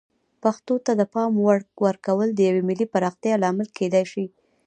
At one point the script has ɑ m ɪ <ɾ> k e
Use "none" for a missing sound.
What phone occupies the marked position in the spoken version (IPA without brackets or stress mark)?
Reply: l